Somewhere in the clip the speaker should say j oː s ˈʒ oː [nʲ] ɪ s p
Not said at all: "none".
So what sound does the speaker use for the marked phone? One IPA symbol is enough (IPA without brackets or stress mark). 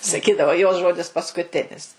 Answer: dʲ